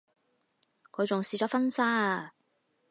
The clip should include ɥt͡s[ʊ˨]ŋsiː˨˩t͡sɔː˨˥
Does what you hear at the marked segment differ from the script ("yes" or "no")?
no